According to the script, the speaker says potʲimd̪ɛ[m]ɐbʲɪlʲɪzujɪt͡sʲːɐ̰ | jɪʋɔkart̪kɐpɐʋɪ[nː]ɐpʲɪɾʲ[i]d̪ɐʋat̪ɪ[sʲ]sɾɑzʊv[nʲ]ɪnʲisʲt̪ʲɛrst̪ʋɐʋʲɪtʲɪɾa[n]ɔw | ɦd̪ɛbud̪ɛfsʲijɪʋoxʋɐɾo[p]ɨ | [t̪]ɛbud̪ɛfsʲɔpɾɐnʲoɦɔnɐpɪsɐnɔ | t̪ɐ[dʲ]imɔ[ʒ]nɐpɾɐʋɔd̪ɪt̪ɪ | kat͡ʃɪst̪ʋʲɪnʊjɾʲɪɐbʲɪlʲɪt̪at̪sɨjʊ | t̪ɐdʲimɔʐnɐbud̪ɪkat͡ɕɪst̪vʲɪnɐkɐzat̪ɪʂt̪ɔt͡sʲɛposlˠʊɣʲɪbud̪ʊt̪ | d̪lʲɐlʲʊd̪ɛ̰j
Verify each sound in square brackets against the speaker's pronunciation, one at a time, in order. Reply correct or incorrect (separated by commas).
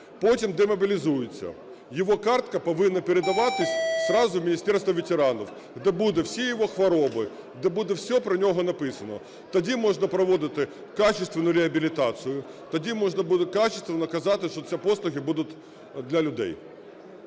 correct, correct, incorrect, correct, incorrect, correct, incorrect, incorrect, correct, incorrect